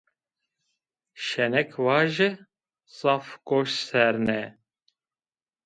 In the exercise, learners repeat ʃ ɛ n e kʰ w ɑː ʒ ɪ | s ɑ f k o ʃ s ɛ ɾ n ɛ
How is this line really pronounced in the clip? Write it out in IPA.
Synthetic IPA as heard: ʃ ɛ n ɛ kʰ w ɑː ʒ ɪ | s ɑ f k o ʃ s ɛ ɾ n ɛ